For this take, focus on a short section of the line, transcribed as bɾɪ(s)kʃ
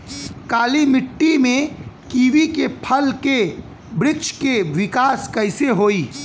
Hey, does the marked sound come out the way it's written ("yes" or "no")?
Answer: no